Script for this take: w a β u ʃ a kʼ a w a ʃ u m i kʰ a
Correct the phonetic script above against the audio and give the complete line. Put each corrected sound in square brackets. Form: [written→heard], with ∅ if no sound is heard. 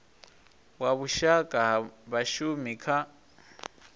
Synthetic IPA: w a β u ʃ a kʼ a [w→β] a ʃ u m i kʰ a